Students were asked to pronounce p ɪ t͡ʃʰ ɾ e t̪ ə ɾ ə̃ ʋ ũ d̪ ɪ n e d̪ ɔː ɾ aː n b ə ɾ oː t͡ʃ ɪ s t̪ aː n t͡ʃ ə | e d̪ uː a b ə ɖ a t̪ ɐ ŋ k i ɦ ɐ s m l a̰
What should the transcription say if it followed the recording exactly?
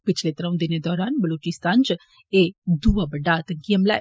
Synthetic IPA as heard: p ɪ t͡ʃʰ l e t̪ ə ɾ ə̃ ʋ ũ d̪ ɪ n e d̪ ɔː ɾ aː n b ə l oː t͡ʃ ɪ s t̪ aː n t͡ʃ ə | e d̪ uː a b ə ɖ a t̪ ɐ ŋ k i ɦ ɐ m l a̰